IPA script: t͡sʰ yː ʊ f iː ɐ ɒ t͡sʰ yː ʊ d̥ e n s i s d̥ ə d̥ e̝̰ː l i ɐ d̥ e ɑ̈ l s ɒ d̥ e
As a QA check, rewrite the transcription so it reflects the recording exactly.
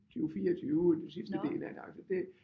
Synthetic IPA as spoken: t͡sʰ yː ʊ f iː ɐ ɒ t͡sʰ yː ʊ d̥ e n s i s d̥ ə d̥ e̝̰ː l æ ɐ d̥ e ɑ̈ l s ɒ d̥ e